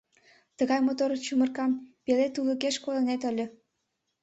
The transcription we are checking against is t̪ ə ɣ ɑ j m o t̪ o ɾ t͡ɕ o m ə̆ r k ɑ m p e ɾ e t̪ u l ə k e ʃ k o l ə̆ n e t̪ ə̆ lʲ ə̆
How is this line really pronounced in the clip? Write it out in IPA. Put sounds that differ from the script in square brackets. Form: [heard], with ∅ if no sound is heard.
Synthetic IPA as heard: t̪ ə ɣ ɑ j m o t̪ o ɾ t͡ɕ [u] m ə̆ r k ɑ m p e [l] e t̪ u l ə k e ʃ k o l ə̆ n e t̪ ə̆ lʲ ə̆